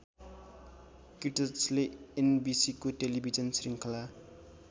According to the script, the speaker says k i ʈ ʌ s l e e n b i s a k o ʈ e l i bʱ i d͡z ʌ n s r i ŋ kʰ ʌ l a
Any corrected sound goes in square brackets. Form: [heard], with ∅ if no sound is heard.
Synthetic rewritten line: k i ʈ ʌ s l e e n b i s [i] k o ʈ e l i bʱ i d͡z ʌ n s r i ŋ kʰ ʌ l a